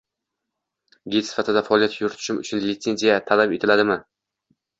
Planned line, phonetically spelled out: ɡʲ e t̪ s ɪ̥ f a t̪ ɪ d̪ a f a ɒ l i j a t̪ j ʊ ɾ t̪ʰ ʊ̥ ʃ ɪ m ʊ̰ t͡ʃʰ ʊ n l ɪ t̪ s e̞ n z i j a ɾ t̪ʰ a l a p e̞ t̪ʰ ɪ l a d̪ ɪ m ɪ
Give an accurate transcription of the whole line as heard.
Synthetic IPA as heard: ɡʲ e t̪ s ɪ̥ f a t̪ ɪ d̪ a f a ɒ l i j a t̪ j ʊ ɾ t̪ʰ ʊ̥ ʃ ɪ m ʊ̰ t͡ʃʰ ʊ n l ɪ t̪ s e̞ n z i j a t̪ʰ a l a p e̞ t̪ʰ ɪ l a d̪ ɪ m ɪ